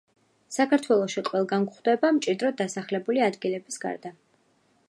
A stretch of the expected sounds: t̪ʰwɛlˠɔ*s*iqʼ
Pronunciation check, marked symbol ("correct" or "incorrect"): incorrect